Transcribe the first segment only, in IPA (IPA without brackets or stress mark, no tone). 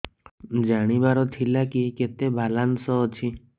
d͡ʒ